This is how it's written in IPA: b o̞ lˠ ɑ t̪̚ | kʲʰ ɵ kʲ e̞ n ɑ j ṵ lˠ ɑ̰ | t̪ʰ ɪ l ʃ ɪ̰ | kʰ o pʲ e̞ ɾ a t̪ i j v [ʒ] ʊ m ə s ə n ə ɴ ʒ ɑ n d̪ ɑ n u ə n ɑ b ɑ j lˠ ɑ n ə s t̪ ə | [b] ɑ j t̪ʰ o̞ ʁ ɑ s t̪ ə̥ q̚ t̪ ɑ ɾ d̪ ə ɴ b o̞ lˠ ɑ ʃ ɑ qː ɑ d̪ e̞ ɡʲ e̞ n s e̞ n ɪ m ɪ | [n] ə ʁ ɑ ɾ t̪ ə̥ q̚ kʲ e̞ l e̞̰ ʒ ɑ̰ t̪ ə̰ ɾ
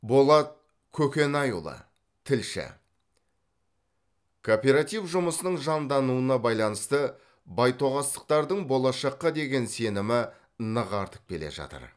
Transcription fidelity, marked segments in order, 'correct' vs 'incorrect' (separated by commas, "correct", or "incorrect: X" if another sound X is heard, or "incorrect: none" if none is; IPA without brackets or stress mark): correct, correct, correct